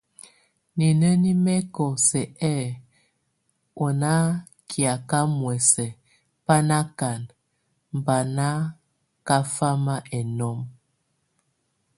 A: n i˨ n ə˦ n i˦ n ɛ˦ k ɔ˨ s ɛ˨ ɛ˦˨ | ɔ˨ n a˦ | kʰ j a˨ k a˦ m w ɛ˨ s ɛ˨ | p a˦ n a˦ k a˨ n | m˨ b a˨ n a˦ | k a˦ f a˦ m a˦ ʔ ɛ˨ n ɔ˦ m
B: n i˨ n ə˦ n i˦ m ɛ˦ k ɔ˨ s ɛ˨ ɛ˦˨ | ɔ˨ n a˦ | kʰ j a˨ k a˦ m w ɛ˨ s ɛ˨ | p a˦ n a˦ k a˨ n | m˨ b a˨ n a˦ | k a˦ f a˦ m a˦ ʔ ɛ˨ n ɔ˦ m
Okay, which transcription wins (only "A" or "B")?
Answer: B